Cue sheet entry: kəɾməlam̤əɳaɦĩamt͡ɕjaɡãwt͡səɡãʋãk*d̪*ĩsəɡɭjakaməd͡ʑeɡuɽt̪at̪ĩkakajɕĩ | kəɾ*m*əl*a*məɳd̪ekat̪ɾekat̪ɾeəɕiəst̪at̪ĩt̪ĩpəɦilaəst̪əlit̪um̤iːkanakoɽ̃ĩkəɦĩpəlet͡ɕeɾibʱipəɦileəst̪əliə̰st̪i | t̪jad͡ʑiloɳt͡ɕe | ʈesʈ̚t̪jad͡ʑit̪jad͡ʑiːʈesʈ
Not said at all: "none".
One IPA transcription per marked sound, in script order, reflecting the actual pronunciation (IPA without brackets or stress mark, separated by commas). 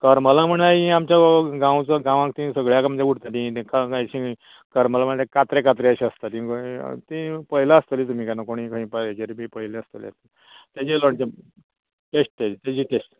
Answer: t̪, m, a